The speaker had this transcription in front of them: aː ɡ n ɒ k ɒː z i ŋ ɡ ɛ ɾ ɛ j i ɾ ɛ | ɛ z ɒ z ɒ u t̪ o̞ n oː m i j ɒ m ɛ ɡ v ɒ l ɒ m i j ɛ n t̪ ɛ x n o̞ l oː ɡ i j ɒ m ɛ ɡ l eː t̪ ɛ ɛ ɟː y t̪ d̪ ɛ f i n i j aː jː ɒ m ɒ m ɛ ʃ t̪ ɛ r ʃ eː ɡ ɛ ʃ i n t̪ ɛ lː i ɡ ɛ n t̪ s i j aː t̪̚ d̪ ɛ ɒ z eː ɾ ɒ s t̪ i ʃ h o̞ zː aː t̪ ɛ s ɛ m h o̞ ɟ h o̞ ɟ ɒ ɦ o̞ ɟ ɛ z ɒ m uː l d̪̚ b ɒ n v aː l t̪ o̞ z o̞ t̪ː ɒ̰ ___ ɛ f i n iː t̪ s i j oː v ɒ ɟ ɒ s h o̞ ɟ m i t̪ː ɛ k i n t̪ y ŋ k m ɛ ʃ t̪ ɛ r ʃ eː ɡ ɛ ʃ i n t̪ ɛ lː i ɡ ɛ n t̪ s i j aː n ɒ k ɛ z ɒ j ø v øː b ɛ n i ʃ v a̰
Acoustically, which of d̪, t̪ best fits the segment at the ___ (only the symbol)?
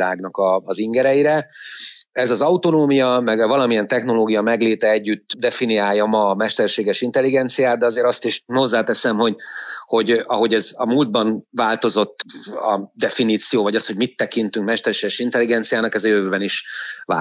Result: d̪